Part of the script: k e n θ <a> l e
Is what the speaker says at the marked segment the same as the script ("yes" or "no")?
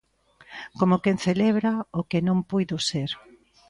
no